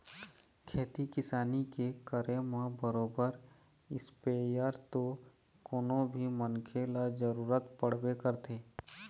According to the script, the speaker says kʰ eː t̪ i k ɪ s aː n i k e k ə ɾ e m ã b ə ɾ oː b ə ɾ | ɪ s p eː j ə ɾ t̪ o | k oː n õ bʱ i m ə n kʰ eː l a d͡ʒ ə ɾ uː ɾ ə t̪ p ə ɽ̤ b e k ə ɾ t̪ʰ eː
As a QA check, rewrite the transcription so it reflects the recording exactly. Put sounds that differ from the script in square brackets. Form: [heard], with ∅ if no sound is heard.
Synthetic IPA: kʰ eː t̪ i k ɪ s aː n i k e k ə ɾ e m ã b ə ɾ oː b ə ɾ | ɪ s p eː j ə ɾ t̪ o | k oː n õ bʱ i m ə n kʰ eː l a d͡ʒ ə ɾ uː ɾ ə t̪ p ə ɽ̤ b e k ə ɾ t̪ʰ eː